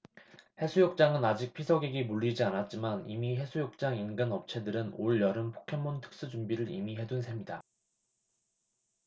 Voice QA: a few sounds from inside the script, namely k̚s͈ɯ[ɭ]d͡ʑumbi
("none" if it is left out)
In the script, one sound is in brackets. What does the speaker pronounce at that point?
none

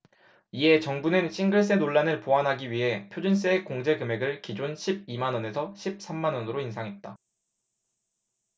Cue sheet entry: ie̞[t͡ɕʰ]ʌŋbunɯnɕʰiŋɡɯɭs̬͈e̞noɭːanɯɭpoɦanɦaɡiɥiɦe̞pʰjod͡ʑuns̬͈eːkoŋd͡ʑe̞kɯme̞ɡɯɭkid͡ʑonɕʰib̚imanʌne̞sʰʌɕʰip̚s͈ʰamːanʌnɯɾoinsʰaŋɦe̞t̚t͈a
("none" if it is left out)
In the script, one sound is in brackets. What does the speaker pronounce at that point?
t͡ɕ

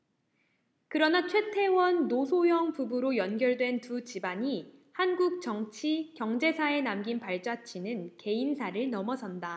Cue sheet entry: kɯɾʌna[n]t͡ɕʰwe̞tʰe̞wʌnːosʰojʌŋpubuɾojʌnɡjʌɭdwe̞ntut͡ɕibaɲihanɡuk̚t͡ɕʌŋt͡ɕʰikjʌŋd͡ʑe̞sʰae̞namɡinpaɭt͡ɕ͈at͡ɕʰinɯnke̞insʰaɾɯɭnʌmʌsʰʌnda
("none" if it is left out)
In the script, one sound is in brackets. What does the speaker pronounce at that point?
none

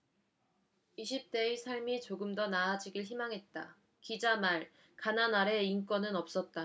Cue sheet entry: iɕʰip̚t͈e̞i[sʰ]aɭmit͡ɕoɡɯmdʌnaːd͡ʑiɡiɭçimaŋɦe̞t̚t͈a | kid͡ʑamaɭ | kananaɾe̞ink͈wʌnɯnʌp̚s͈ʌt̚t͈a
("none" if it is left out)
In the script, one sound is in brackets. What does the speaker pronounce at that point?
sʰ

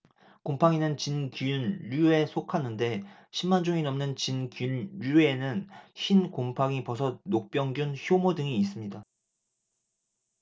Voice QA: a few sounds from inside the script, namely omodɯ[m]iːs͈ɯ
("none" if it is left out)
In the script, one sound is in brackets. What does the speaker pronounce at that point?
ŋ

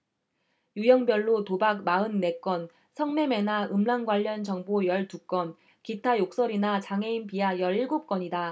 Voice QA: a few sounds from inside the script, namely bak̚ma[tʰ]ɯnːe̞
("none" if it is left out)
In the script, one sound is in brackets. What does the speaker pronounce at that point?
none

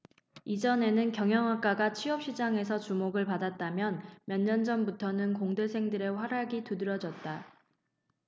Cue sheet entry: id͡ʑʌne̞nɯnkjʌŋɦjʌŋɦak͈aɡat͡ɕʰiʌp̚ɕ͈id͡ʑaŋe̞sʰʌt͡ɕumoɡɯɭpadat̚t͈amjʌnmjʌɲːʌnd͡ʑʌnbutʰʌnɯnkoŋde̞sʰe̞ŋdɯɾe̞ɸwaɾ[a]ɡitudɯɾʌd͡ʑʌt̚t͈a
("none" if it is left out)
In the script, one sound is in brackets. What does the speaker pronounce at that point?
a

